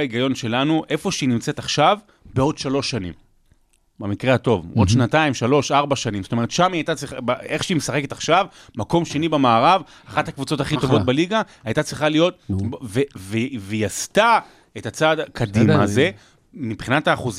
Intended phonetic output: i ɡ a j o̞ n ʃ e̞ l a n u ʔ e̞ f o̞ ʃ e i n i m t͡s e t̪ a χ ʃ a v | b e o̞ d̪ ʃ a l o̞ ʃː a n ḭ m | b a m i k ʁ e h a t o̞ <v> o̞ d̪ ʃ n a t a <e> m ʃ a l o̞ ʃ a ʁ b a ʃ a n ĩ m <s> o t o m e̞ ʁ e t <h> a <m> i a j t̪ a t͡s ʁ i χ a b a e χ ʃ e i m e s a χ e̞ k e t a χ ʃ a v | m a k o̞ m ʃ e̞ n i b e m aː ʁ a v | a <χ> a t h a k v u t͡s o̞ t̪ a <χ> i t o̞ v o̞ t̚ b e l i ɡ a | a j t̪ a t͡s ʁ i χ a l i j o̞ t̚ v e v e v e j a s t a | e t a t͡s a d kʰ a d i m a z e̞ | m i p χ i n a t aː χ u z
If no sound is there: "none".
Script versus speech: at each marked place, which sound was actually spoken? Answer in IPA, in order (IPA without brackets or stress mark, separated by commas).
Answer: v, i, z, ʃ, m, χ, χ